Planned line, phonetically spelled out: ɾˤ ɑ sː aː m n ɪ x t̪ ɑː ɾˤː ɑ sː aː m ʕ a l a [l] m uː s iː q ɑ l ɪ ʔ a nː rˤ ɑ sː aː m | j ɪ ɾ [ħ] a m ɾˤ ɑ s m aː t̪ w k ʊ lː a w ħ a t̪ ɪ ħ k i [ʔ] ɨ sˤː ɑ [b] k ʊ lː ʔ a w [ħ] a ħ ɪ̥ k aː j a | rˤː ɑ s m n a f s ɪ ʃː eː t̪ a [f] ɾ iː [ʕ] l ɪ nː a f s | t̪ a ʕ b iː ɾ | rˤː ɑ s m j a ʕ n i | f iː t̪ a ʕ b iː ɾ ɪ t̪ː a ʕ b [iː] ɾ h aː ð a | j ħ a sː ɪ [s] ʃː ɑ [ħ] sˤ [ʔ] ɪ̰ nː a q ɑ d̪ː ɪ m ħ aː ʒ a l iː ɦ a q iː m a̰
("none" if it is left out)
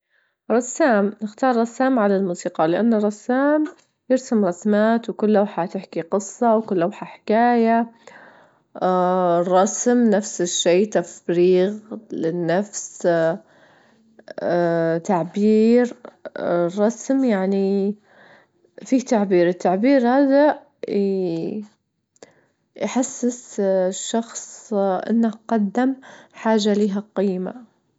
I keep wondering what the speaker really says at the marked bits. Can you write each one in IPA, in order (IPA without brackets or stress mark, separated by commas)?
l, s, q, w, ħ, f, ɣ, iː, s, x, ʔ